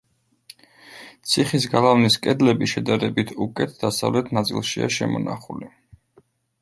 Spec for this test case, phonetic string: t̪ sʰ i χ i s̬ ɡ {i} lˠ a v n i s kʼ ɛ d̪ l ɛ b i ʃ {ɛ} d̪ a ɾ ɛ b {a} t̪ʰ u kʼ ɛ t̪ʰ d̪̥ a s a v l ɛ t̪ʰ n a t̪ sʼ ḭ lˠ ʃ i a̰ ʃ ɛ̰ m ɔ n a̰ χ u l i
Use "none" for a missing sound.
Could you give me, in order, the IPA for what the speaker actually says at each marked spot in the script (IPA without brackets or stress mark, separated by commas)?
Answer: a, ɛ, i